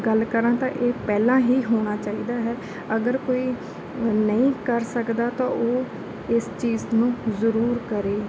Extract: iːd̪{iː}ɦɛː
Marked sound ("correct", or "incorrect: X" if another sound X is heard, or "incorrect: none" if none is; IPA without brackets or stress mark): incorrect: aː